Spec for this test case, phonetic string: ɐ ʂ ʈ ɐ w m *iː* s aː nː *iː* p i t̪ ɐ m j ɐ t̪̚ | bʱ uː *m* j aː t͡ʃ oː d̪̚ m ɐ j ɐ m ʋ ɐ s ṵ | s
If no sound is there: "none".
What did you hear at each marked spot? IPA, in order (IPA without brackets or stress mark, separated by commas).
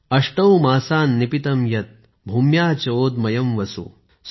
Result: aː, i, m